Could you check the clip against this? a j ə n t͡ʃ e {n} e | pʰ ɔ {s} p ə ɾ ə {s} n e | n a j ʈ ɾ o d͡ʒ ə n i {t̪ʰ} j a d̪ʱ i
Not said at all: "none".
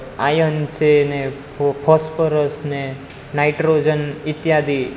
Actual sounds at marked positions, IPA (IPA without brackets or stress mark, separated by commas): n, s, s, t̪